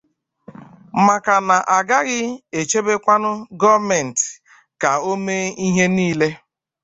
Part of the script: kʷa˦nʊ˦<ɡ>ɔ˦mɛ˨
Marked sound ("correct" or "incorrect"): correct